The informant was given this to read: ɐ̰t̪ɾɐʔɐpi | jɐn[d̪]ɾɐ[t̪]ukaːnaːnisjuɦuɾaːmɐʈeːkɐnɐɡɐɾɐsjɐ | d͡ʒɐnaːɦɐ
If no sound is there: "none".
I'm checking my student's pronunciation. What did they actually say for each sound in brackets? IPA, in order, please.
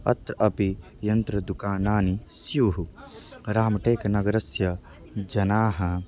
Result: t̪, d̪

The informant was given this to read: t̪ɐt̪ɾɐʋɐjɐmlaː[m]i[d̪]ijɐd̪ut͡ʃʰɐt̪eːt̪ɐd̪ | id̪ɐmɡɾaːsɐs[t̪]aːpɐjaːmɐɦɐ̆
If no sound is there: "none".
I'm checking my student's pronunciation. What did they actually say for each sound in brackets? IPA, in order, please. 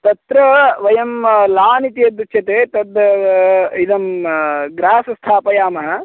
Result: n, t̪, t̪ʰ

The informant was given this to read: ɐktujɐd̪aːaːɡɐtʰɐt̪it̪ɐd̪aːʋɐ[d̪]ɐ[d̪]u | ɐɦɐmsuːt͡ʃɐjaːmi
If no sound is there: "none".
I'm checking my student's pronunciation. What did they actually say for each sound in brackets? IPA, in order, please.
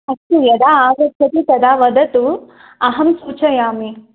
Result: d̪, t̪

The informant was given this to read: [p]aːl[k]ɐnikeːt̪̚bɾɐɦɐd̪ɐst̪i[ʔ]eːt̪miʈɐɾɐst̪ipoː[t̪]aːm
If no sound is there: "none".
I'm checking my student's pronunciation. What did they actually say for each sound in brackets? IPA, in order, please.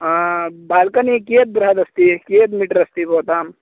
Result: b, k, k, t̪

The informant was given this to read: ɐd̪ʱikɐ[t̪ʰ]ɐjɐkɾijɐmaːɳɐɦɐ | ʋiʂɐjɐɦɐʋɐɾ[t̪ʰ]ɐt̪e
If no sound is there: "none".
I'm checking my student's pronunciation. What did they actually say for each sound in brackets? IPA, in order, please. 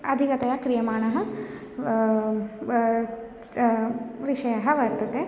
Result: t̪, t̪

